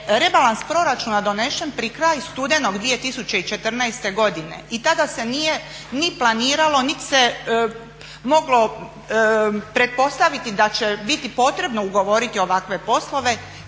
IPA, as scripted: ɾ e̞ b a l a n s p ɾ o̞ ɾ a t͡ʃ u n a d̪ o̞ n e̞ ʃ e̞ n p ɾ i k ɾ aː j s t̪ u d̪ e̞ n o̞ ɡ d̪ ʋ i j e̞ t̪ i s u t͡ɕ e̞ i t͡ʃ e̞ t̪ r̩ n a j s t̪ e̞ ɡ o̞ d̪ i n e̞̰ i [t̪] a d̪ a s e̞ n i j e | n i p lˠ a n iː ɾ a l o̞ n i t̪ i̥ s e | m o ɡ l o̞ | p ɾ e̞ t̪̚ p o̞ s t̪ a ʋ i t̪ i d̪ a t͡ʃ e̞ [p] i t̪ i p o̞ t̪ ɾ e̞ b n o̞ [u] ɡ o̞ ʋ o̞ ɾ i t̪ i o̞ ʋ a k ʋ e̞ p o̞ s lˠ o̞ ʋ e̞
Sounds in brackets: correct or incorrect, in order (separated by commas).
correct, incorrect, correct